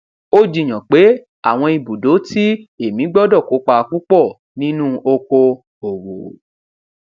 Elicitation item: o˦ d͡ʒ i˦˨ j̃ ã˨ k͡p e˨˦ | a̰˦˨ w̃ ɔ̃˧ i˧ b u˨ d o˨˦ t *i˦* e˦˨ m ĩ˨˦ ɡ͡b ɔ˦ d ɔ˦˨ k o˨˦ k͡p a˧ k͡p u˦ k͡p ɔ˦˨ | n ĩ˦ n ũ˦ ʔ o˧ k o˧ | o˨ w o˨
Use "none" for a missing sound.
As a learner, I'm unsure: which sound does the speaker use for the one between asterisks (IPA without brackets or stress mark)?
i˦